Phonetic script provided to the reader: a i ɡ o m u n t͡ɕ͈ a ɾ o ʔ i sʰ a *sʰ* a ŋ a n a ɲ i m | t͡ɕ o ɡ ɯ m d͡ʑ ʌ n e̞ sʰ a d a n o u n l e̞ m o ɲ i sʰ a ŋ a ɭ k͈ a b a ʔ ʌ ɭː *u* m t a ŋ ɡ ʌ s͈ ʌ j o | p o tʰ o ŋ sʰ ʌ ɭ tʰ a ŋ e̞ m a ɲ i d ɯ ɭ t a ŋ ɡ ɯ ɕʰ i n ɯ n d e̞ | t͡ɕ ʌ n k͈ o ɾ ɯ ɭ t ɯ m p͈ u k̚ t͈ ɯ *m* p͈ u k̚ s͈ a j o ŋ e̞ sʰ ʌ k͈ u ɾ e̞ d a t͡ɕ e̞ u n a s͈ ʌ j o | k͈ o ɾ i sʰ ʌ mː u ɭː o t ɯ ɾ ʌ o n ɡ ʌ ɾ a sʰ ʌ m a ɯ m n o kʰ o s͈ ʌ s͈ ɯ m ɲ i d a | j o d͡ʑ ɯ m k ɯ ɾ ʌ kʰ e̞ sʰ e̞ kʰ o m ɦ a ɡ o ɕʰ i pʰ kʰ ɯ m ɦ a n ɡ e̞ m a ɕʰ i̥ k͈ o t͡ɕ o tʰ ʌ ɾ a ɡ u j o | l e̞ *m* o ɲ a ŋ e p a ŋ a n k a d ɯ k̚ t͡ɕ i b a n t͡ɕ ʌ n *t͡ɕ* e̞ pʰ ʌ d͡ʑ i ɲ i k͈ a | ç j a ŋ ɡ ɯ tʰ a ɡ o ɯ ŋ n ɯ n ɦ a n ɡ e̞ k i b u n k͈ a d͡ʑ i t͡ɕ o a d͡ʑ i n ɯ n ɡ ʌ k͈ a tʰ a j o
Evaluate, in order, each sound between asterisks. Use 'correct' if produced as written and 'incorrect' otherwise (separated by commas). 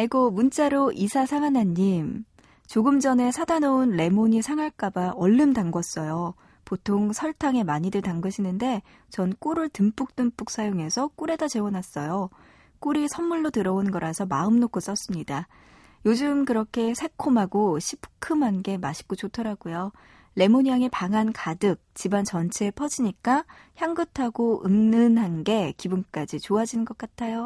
correct, incorrect, correct, correct, incorrect